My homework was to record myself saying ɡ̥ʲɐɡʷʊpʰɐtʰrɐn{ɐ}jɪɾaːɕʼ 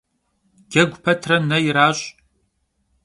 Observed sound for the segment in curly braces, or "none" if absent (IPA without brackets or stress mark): ɐ